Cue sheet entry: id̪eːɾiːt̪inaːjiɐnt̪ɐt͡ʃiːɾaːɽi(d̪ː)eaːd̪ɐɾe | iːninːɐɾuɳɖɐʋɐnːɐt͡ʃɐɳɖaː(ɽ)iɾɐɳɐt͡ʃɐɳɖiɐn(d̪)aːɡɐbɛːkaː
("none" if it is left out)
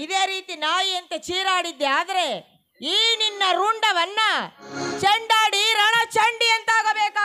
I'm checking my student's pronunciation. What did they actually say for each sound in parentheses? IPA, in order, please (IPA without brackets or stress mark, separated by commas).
d̪ː, ɽ, t̪